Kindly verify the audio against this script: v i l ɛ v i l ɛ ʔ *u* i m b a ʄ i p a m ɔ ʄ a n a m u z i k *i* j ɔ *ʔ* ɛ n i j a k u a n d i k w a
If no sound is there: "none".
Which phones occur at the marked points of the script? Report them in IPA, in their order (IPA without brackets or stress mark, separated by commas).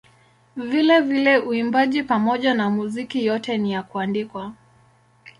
u, i, t